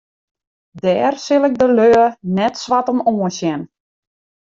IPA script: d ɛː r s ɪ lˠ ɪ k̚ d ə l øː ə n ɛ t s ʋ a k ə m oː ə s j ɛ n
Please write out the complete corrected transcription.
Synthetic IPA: d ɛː r s ɪ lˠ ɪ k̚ d ə l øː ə n ɛ t s ʋ a t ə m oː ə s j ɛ n